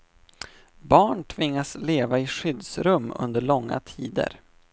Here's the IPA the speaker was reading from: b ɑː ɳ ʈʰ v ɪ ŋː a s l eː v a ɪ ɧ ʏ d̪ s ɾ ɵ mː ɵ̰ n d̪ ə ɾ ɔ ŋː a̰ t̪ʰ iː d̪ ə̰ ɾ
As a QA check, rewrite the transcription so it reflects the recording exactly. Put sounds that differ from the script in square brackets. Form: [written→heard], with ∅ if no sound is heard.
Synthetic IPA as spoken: b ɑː ɳ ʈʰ v ɪ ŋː a s l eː v a ɪ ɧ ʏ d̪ s ɾ ɵ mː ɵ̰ n d̪ ə [ɾ→ɭ] ɔ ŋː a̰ t̪ʰ iː d̪ ə̰ ɾ